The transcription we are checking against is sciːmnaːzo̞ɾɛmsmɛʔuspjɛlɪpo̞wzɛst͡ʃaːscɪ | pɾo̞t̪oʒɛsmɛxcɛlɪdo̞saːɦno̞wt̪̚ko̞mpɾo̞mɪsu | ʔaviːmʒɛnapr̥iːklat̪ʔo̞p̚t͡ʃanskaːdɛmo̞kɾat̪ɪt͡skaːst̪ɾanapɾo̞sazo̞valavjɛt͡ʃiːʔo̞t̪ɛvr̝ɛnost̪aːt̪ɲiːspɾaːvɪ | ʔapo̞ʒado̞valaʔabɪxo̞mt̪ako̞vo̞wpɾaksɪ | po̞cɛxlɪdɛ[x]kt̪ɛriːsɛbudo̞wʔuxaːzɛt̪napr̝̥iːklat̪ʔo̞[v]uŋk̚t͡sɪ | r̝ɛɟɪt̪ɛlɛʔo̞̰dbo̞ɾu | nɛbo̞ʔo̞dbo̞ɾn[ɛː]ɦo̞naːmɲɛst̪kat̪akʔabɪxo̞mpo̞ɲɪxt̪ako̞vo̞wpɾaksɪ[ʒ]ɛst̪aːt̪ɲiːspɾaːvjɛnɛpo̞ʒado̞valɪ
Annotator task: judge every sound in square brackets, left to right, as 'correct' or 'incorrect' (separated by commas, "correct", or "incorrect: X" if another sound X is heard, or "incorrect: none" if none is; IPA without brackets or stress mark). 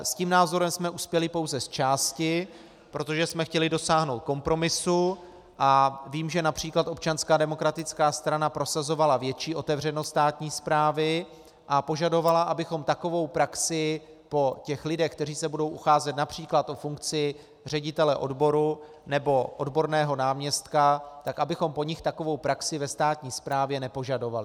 correct, incorrect: f, correct, incorrect: v